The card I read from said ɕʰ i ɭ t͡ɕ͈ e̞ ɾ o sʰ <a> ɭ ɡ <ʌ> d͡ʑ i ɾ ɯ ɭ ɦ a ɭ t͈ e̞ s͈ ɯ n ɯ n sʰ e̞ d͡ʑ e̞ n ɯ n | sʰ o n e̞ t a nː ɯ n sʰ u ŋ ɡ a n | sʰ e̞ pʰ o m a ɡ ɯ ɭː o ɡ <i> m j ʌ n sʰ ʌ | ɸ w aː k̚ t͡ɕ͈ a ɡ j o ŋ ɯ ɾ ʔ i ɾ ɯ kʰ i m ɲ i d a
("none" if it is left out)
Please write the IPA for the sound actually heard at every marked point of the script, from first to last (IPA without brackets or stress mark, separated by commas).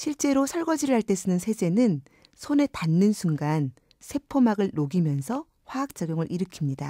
ʌ, ʌ, i